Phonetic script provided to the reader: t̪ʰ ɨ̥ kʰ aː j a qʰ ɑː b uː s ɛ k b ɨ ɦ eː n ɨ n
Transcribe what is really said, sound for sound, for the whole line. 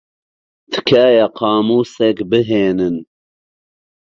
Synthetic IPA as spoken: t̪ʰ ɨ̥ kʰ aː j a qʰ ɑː m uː s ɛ k b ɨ ɦ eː n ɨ n